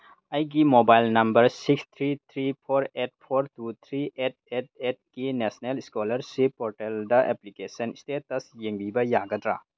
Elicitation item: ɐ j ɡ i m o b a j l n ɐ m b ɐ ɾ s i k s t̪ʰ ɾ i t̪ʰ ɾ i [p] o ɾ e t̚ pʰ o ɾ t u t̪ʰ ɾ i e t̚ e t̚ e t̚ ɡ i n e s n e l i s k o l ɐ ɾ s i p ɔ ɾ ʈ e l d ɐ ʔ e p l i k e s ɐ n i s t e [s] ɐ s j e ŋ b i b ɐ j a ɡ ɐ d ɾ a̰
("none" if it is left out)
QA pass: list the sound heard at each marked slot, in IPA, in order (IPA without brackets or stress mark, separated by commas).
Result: pʰ, t